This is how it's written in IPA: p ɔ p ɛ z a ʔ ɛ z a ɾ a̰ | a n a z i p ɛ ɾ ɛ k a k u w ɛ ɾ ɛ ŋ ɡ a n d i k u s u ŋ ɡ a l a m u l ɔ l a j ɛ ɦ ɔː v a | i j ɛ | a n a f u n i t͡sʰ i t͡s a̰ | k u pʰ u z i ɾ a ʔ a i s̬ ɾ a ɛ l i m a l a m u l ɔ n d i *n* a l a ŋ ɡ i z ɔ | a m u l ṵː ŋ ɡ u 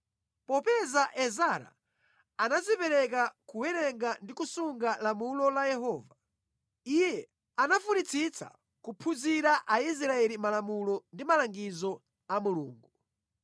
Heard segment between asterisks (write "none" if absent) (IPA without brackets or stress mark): m